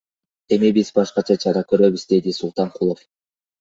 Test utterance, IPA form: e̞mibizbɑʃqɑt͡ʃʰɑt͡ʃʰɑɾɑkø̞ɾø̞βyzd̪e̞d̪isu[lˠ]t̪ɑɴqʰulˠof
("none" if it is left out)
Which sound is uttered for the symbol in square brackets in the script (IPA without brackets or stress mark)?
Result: lˠ